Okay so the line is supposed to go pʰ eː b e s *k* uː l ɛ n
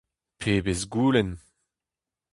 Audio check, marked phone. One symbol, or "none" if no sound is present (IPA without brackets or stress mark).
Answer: ɡ